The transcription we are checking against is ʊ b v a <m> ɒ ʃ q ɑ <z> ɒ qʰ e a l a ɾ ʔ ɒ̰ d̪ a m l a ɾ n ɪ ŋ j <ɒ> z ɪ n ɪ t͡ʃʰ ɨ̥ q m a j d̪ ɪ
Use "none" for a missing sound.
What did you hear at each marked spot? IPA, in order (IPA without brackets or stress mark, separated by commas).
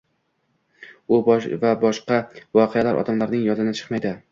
b, v, ɒ